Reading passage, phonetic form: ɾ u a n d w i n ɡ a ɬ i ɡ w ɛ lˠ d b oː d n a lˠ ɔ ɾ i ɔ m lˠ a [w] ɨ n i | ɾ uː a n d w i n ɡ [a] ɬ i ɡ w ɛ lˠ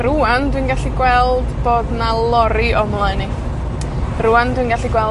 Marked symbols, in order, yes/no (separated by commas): no, yes